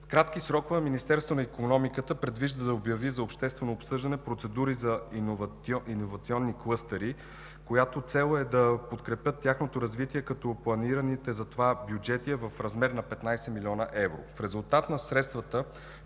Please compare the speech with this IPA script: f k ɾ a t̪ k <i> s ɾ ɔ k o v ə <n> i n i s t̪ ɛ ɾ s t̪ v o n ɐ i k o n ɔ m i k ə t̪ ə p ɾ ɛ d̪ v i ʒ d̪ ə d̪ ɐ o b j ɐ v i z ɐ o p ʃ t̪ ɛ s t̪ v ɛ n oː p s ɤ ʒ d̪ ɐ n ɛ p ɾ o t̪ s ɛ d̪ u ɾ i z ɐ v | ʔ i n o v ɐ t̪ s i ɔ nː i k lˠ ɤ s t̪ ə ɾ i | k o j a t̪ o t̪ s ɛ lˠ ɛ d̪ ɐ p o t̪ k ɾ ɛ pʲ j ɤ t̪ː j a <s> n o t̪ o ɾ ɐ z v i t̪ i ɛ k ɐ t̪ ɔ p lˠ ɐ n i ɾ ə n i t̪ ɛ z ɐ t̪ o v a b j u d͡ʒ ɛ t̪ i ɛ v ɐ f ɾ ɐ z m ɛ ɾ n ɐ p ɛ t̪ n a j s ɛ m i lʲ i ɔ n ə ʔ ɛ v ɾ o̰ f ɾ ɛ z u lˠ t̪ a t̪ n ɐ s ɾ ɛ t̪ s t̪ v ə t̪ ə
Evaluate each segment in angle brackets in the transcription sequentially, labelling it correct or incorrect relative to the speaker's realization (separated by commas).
correct, incorrect, incorrect